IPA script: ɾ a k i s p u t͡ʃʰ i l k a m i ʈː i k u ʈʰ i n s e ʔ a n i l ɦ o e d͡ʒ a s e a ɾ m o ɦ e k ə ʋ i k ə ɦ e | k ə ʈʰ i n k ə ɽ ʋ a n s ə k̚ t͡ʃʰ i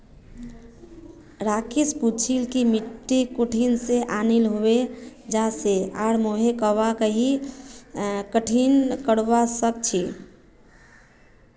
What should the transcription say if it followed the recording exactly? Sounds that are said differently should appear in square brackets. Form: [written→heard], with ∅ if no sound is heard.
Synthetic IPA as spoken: ɾ a k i s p u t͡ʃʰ i l k [a→i] m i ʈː i k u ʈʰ i n s e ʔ a n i l ɦ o e d͡ʒ a s e a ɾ m o ɦ e k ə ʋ [i→a] k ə ɦ [e→i] | k ə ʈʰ i n k ə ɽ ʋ a [n→∅] s ə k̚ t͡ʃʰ i